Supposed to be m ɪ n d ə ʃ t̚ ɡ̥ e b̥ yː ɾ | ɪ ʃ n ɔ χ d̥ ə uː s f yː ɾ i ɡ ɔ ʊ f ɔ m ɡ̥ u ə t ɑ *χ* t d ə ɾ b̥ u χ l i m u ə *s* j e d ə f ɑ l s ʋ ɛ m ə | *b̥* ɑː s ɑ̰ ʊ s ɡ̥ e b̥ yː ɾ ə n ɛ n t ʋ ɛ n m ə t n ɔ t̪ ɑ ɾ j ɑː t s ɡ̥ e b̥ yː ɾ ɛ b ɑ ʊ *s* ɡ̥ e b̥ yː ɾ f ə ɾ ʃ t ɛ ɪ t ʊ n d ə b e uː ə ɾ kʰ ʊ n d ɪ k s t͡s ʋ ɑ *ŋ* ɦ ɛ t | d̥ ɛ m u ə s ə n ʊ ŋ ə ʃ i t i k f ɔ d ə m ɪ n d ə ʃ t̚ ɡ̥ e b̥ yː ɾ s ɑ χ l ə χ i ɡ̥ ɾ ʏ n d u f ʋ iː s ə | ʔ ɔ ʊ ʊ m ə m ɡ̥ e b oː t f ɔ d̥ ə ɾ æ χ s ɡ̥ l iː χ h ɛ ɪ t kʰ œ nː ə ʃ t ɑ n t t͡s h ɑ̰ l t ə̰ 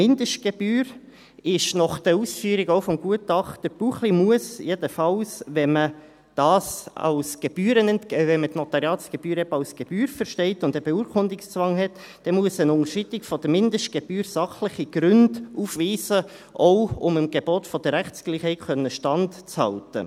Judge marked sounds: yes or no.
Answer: yes, yes, no, yes, yes

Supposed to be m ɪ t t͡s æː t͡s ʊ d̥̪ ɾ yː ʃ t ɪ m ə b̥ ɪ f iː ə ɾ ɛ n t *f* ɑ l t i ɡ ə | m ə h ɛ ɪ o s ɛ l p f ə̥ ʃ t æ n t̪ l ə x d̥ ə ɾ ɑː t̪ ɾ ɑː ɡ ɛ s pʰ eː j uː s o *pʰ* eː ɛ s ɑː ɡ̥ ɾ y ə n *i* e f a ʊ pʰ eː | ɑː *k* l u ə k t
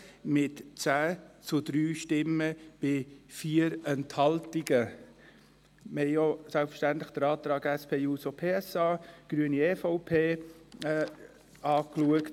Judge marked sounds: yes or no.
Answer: no, yes, yes, yes

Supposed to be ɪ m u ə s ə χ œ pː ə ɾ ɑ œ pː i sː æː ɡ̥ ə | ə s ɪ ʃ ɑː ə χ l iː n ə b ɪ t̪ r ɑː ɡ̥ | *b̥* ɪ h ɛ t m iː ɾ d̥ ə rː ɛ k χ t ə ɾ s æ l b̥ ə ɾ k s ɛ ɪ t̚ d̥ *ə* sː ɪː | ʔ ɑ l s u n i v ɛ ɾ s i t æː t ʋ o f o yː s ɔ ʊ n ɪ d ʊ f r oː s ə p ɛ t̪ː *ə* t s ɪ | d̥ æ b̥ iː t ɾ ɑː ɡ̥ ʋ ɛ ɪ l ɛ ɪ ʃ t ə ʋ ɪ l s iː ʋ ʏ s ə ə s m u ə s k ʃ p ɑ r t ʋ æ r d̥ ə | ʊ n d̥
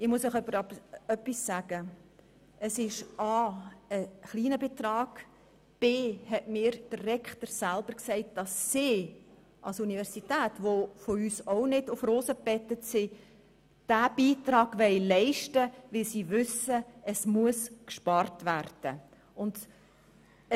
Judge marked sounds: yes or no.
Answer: yes, no, yes

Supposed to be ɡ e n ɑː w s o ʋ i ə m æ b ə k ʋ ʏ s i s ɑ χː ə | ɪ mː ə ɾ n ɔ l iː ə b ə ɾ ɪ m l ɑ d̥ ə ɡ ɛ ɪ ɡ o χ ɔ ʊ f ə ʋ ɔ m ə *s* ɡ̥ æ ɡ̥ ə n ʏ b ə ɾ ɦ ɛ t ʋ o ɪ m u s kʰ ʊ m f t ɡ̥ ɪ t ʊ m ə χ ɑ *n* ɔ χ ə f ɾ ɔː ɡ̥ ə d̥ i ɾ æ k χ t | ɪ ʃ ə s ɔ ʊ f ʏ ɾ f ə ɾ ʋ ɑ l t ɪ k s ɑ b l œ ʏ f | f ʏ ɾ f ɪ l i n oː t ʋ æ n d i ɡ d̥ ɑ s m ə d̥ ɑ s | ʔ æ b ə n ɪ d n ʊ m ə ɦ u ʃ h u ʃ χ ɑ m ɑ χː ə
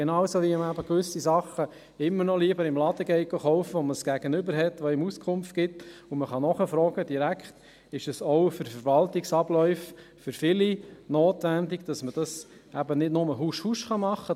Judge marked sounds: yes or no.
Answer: yes, yes

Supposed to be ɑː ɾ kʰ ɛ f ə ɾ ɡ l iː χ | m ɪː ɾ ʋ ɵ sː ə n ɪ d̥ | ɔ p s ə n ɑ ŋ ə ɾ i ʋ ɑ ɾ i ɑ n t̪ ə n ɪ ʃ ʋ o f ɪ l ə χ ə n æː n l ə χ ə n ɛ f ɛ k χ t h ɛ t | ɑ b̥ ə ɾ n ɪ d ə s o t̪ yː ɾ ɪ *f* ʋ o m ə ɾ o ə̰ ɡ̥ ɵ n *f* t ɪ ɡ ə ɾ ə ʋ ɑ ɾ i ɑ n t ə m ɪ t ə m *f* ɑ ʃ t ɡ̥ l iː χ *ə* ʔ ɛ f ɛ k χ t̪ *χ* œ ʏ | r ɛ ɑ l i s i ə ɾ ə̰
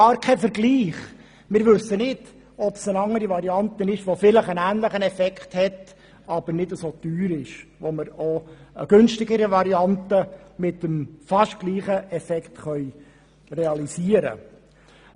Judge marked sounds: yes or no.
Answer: no, no, yes, yes, yes

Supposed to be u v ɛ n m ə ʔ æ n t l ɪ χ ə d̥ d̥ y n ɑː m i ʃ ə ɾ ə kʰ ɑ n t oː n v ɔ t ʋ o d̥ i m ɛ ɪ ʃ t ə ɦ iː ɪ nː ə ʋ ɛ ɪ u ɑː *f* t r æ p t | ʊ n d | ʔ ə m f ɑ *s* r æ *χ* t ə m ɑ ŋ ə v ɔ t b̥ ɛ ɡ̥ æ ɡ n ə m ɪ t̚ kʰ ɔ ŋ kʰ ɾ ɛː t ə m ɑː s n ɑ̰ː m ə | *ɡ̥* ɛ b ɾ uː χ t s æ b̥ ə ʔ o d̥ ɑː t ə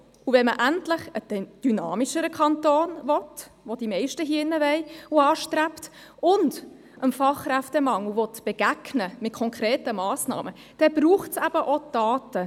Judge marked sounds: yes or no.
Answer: no, no, no, no

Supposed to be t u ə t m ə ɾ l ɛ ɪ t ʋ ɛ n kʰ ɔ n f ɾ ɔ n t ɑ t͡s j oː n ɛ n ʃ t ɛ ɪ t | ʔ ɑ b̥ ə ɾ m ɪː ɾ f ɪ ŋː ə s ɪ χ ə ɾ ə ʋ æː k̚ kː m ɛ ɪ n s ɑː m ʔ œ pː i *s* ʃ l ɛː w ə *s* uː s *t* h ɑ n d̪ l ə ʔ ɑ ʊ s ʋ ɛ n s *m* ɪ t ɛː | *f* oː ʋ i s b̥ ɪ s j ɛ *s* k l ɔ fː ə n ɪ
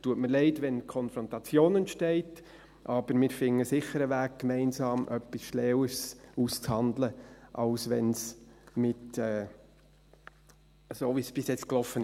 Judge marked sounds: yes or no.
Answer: yes, yes, no, yes, no, no

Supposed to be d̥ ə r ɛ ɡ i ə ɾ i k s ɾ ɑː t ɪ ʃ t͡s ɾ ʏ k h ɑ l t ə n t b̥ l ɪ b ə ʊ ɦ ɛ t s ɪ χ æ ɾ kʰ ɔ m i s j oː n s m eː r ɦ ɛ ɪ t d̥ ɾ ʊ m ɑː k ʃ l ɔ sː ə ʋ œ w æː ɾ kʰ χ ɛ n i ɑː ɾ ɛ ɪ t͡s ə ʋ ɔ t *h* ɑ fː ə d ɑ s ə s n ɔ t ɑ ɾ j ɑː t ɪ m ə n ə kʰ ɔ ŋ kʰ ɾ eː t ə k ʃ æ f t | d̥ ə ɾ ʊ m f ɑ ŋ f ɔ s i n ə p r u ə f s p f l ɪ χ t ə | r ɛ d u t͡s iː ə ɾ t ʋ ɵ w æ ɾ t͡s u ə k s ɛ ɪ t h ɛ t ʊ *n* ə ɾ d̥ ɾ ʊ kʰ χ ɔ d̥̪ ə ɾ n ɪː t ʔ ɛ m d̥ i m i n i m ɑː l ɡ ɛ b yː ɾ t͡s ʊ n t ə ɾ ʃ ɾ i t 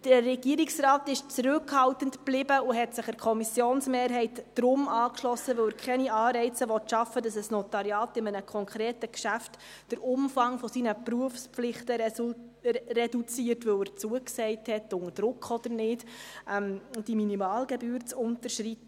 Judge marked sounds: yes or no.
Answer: no, no

